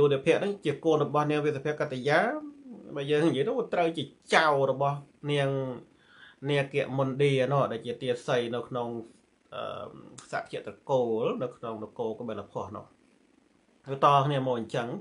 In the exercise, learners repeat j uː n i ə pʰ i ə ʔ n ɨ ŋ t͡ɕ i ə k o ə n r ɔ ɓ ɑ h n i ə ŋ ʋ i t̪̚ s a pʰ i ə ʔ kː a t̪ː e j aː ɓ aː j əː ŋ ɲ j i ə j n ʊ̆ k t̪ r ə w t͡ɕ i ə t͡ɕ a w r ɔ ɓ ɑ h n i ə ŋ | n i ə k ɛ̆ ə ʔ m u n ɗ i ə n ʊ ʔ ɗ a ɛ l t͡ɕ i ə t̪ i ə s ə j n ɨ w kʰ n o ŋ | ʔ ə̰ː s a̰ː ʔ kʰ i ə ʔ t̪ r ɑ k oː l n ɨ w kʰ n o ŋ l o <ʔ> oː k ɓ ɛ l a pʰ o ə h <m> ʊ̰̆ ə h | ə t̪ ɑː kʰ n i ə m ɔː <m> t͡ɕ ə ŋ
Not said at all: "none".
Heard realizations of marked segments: k, n, ɲ

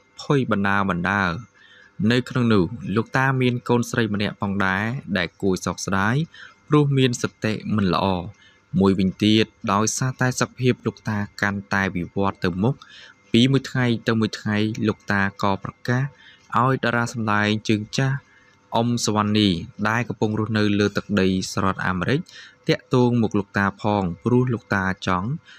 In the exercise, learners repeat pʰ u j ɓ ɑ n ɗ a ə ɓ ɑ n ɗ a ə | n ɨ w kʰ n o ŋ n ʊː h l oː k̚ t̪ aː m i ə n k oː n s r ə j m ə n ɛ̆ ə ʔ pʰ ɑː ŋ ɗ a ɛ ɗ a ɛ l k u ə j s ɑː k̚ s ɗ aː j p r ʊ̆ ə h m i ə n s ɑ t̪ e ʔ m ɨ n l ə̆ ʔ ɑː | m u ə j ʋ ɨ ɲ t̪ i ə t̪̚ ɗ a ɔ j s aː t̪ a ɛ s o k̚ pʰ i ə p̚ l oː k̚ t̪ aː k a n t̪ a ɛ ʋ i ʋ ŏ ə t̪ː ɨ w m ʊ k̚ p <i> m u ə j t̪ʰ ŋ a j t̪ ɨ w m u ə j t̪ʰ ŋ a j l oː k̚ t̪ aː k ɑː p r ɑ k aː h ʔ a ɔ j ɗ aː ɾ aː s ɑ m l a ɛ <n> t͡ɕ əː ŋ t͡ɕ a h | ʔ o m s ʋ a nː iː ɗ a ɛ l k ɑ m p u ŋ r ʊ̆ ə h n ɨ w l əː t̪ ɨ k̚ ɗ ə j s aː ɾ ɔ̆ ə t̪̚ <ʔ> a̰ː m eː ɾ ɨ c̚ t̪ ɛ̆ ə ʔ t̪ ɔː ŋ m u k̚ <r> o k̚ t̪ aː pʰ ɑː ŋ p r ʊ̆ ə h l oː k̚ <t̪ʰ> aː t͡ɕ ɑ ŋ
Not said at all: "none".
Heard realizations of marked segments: iː, ŋ, ʔ, l, t̪

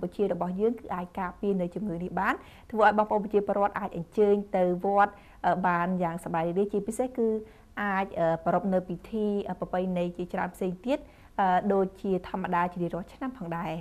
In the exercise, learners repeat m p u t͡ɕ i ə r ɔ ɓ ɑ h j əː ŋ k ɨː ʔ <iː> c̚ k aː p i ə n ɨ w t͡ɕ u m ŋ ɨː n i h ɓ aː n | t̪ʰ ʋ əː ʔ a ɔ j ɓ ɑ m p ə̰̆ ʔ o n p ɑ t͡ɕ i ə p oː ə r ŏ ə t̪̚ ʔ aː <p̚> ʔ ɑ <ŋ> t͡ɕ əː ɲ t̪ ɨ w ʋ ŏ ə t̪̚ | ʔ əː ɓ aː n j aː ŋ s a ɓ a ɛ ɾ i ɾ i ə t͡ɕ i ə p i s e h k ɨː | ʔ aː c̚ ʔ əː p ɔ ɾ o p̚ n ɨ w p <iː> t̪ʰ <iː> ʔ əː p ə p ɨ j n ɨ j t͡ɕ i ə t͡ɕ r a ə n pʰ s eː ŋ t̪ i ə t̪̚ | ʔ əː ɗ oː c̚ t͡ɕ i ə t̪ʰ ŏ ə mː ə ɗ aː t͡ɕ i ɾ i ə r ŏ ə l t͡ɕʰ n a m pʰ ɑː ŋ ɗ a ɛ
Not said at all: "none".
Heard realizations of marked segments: aː, c̚, ɲ, i, iː

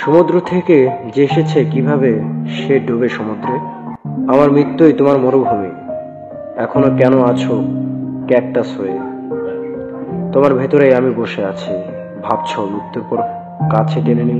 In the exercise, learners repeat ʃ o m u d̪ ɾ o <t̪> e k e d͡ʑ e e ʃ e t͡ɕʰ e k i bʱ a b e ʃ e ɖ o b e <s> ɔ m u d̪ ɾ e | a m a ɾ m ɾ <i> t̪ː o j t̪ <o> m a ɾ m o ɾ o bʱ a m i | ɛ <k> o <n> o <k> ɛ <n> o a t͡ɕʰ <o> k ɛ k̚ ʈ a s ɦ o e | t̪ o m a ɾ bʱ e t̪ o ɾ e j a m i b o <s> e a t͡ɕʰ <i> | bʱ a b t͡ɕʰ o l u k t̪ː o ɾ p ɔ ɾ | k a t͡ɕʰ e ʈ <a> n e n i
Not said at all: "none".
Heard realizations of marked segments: t̪ʰ, ʃ, i, o, kʰ, n, k, n, o, ʃ, i, e

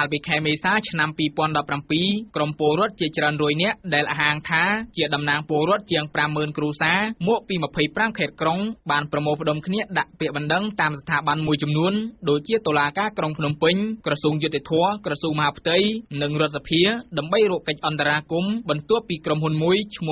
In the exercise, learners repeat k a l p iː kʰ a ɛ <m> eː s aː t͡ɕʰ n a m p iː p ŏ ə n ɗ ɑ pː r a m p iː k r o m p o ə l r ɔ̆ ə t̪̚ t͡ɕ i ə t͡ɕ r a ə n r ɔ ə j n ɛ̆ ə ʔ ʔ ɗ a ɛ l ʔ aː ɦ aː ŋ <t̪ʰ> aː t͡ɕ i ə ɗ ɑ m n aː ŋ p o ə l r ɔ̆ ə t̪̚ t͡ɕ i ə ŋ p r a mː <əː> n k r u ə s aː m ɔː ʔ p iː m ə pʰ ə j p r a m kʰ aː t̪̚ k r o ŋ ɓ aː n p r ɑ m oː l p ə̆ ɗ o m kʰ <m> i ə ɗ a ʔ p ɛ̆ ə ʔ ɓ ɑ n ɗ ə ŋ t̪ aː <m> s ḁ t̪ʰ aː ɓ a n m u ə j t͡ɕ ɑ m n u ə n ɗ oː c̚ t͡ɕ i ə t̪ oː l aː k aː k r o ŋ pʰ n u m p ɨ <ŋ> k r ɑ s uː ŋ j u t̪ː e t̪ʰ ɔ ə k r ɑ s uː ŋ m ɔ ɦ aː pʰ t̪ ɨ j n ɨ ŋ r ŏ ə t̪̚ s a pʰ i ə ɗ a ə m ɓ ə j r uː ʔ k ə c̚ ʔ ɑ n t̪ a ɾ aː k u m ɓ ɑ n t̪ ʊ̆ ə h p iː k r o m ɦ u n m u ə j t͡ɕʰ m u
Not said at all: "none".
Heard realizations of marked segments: m, t̪ʰ, əː, n, m, ɲ

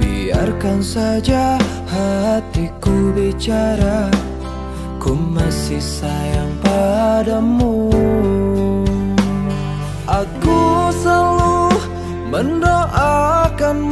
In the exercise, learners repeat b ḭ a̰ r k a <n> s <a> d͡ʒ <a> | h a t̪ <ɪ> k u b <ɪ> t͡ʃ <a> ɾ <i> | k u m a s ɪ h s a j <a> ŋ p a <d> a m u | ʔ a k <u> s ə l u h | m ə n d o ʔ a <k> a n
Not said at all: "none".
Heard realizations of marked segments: n, a, a, i, i, a, a, a, d, u, k

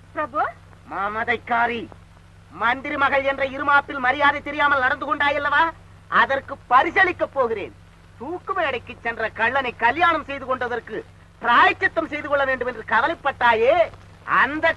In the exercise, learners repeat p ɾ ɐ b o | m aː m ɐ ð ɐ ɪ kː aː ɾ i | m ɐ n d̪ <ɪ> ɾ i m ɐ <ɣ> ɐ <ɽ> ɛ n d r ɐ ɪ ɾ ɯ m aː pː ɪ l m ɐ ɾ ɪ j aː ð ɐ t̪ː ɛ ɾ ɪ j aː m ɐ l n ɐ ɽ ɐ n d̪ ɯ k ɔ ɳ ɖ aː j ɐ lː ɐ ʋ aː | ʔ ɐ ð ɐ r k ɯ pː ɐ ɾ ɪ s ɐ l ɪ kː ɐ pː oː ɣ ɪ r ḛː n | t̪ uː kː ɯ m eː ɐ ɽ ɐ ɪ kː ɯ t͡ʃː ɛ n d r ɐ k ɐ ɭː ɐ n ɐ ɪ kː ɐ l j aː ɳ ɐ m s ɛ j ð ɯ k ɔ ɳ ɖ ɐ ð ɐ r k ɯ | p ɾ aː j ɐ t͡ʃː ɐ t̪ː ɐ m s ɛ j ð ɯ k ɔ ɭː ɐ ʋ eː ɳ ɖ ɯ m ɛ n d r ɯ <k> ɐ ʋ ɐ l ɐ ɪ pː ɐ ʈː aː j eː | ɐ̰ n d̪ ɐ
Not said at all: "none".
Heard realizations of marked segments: ɪ, ɣ, ɭ, k

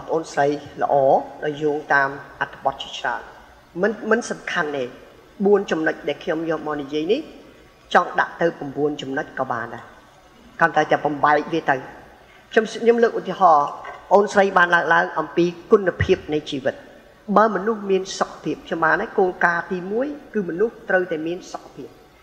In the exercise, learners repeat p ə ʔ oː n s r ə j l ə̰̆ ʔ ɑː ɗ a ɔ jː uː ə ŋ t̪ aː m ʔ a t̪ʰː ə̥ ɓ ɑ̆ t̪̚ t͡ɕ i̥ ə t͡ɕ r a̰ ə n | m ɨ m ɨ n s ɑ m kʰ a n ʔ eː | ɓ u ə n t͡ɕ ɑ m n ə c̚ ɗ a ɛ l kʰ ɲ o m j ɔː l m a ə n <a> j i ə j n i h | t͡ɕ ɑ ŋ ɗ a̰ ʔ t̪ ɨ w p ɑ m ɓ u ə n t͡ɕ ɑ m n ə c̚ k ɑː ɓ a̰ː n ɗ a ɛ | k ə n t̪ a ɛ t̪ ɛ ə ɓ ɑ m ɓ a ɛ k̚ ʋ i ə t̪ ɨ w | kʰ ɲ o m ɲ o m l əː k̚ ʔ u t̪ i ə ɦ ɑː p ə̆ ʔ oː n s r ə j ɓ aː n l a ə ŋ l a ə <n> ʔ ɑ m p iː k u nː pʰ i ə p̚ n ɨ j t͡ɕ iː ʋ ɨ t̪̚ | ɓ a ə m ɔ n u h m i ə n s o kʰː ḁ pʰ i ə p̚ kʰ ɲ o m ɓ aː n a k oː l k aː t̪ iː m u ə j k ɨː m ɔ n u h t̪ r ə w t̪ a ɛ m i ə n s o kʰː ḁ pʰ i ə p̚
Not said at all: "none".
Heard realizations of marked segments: i, ŋ

